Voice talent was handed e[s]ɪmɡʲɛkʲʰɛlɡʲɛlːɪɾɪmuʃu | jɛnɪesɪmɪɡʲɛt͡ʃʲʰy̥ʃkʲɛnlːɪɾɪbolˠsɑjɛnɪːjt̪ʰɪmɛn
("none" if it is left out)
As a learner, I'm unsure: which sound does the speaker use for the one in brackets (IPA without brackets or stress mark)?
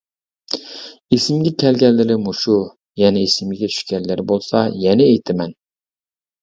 s